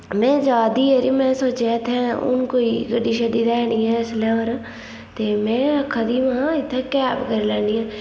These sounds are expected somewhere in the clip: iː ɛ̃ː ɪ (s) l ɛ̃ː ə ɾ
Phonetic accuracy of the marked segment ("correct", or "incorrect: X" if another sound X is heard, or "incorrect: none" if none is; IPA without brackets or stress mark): correct